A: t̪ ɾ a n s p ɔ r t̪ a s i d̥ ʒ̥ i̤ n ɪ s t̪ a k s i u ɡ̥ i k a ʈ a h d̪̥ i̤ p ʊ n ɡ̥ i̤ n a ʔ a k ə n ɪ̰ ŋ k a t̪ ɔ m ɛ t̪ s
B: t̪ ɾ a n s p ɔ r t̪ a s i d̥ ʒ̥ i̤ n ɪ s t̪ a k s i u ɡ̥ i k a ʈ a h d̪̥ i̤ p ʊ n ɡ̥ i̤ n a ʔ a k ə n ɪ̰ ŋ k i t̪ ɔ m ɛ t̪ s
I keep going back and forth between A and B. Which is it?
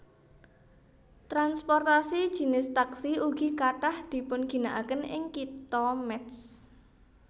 B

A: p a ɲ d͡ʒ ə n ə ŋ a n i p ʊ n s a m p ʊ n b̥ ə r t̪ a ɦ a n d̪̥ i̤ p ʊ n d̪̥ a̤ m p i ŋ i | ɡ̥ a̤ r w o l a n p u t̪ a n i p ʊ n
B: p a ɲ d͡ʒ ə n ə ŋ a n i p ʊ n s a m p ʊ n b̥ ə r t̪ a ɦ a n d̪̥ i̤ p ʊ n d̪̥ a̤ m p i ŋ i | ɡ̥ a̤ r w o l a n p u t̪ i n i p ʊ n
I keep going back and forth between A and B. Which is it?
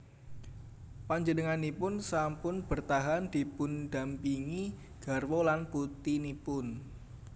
B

